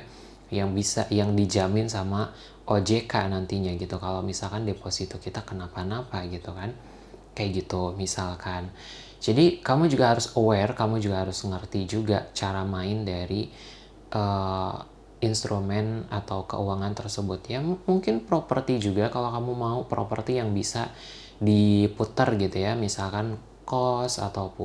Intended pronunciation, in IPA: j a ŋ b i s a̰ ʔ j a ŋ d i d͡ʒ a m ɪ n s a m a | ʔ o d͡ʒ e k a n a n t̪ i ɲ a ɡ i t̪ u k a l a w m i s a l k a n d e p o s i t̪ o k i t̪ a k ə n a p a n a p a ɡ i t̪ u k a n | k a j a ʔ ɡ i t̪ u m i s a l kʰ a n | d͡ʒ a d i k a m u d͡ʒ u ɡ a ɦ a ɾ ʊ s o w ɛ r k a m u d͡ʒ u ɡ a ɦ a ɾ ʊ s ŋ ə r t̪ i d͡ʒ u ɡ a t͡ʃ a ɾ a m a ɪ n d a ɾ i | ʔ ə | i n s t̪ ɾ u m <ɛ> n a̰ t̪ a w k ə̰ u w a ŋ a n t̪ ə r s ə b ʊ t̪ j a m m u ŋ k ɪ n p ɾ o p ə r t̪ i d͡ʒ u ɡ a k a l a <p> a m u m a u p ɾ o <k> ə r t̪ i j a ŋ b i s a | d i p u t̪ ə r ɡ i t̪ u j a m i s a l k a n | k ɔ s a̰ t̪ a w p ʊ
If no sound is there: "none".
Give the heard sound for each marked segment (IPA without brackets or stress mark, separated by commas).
ɛ, k, p